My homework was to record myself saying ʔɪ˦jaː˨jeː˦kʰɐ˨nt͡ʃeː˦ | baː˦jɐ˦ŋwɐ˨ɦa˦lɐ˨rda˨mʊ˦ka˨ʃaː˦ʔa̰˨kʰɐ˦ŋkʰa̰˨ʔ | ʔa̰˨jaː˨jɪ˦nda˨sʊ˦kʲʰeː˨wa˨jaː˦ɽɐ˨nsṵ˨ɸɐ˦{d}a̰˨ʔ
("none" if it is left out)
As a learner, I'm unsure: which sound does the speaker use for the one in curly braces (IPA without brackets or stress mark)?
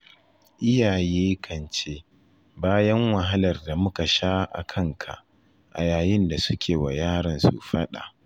ɗ